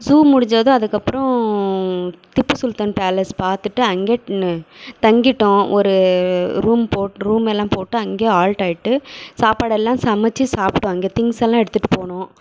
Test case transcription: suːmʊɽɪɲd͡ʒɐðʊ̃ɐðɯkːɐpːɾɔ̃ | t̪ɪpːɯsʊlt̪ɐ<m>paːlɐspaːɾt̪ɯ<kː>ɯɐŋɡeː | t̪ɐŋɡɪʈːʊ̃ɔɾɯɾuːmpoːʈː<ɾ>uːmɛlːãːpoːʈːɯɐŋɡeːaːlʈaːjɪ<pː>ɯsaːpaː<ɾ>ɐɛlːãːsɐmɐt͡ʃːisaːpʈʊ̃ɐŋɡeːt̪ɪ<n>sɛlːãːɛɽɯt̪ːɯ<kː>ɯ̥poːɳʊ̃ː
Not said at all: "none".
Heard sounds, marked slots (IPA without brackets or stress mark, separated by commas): n, ʈː, ɾ, ʈː, ɽ, ŋ, ʈː